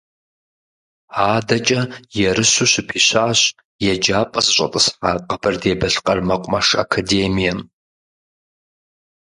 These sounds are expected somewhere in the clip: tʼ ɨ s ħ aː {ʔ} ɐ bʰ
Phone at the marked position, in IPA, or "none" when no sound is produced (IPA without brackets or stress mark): q